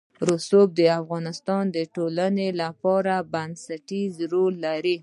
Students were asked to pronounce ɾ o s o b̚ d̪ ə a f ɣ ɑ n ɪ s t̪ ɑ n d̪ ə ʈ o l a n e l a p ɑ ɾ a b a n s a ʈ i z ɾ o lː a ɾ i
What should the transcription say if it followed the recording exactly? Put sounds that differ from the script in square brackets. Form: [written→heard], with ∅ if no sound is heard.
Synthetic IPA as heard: ɾ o s o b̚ d̪ ə a f ɣ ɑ n ɪ s t̪ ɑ n d̪ ə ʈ o l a n e l a p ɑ ɾ a b a n s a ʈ i z ɾ o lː a ɾ i